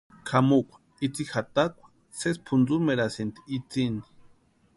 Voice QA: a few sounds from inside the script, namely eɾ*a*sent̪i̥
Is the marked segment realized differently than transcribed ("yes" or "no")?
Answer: no